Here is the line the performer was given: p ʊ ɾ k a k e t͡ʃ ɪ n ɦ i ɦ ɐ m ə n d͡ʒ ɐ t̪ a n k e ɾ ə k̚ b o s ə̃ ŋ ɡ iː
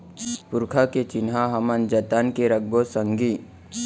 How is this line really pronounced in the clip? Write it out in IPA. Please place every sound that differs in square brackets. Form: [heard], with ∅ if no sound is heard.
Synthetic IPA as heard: p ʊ ɾ [kʰ] a k e t͡ʃ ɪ n ɦ [a] ɦ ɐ m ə n d͡ʒ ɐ t̪ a n k e ɾ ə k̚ b o s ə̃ ŋ ɡ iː